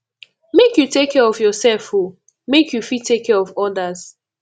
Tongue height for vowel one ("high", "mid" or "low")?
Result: mid